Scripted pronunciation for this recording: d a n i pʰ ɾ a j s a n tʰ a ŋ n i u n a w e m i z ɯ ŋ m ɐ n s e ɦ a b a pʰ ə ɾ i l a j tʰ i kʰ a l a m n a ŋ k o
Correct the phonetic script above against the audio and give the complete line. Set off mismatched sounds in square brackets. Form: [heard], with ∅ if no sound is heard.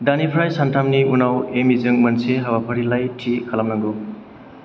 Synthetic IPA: d a n i pʰ ɾ a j s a n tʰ a [m] n i u n a w e m i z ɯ ŋ m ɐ n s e ɦ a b a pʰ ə ɾ i l a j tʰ i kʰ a l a m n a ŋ [ɡ] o